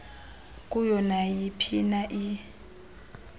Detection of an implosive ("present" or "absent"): absent